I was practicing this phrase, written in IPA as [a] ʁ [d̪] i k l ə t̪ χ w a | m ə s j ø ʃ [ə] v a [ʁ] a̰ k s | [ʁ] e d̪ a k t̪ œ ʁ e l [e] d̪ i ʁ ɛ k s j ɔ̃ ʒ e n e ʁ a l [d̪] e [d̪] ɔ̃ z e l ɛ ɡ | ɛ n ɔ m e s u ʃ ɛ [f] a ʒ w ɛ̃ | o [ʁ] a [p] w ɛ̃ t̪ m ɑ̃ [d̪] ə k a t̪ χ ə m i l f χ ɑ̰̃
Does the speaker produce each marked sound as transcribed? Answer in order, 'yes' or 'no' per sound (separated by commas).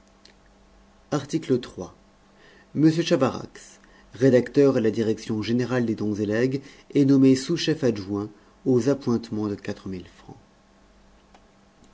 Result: yes, no, no, yes, yes, no, yes, yes, yes, no, yes, yes